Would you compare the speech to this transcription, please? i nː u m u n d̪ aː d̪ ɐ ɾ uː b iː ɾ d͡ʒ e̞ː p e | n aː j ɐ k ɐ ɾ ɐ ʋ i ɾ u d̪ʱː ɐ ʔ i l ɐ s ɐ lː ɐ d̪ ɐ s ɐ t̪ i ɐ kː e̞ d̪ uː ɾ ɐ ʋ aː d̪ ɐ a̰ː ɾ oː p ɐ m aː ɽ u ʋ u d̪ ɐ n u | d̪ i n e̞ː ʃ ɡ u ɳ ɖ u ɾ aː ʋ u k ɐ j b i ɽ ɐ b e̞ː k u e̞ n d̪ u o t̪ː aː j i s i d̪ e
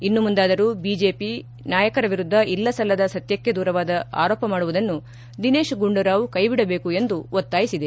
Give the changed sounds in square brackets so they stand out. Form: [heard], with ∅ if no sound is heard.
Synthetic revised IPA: i nː u m u n d̪ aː d̪ ɐ ɾ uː b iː [∅] d͡ʒ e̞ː p [i] | n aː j ɐ k ɐ ɾ ɐ ʋ i ɾ u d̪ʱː ɐ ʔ i [lː] ɐ s ɐ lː ɐ d̪ ɐ s ɐ t̪ [j] ɐ kː e̞ d̪ uː ɾ ɐ ʋ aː d̪ ɐ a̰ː ɾ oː p ɐ m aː ɽ u ʋ u d̪ ɐ [nː] u | d̪ i n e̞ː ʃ ɡ u ɳ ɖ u ɾ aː ʋ u k ɐ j b i ɽ ɐ b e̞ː k u e̞ n d̪ u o t̪ː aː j i s i d̪ e